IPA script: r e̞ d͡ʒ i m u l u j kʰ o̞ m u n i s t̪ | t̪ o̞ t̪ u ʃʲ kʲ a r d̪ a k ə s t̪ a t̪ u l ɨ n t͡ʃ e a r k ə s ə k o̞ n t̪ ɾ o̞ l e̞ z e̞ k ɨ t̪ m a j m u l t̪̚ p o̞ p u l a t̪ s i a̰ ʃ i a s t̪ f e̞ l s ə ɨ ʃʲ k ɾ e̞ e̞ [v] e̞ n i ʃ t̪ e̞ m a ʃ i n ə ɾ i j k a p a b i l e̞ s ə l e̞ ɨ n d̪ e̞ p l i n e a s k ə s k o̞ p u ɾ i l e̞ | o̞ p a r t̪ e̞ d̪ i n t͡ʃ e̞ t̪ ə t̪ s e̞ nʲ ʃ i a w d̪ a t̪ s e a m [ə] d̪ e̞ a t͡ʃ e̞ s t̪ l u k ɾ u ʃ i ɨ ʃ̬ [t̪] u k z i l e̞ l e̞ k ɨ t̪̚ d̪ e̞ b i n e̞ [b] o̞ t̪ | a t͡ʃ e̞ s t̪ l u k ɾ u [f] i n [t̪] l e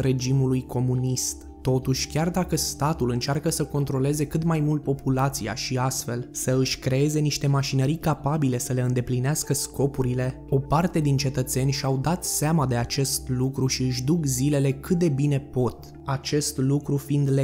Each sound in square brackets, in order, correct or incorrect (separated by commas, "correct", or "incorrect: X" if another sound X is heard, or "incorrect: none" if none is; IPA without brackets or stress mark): incorrect: z, incorrect: a, incorrect: d̪, incorrect: p, correct, incorrect: d̪